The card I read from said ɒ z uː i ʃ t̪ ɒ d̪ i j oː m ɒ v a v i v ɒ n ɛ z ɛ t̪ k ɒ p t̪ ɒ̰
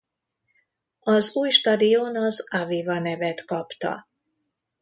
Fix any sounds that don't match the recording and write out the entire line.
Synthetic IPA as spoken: ɒ z uː j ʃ t̪ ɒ d̪ i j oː n ɒ z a v i v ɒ n ɛ v ɛ t̪ k ɒ p t̪ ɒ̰